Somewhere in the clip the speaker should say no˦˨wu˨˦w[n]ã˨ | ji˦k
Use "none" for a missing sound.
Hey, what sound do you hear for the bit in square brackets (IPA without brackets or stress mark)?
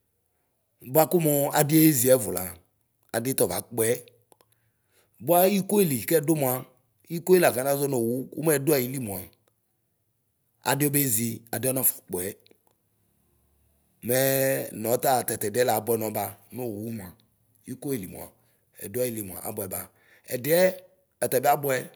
m